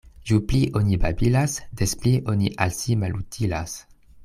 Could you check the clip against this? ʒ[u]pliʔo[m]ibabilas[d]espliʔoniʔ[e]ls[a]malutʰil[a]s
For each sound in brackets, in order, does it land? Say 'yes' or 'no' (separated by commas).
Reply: yes, no, yes, no, no, yes